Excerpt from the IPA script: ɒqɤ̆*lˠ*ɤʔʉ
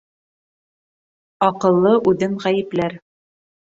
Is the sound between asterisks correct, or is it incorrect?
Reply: incorrect